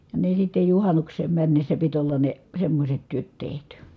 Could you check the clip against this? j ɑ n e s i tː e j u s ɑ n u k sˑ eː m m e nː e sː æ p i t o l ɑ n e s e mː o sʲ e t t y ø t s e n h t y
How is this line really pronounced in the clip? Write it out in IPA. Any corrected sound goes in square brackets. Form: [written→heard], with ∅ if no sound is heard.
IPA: j ɑ n e s i tː e j u [s→h] ɑ n u k sˑ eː m m [e→æ] nː e sː æ p i t o [l→lː] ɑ n e s e mː o sʲ e t t y ø t [s→t] e [n→∅] h t y